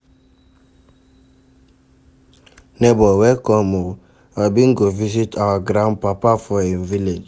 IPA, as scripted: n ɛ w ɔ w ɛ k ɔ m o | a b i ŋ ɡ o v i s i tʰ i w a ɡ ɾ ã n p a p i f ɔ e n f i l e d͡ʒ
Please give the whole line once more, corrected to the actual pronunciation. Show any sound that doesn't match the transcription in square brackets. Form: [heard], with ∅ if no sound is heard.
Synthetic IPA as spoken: n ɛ [b] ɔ w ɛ k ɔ m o | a b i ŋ ɡ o v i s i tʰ [a] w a ɡ ɾ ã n p a p [a] f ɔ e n [v] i l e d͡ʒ